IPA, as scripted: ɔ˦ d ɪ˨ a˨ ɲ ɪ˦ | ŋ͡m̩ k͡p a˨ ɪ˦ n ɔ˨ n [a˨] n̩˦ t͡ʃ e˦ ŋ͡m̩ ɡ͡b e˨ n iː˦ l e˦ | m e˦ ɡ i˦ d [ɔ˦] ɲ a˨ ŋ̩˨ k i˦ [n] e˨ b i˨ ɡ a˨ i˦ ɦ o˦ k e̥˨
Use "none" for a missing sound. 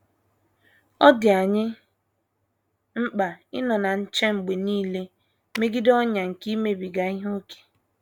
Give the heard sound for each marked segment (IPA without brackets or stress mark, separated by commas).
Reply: a˨, ɔ˦, m